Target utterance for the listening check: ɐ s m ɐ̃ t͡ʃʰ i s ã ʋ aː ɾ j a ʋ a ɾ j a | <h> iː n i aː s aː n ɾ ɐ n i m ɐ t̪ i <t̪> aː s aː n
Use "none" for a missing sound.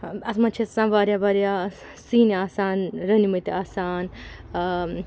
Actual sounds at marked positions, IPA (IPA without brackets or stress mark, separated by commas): s, none